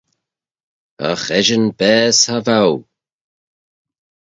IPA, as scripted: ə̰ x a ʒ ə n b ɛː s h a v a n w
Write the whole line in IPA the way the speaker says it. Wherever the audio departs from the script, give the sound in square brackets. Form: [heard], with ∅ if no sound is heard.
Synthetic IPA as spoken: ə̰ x [ɛ] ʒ ə n b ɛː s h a v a [∅] w